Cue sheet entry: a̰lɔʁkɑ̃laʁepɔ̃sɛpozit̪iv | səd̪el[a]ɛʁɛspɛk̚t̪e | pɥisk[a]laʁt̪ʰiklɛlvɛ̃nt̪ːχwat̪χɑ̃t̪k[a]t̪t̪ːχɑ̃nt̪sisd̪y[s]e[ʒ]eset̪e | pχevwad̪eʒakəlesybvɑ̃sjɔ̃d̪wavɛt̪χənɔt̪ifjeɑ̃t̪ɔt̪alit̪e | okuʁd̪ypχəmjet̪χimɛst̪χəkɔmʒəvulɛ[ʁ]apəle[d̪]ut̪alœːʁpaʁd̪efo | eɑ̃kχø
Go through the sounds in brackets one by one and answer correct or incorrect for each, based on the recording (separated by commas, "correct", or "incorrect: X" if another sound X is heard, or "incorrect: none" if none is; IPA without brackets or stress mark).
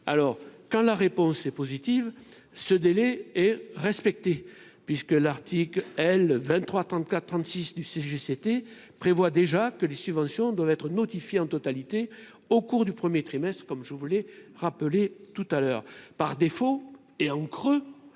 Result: incorrect: ɛ, incorrect: ə, correct, correct, correct, correct, incorrect: t̪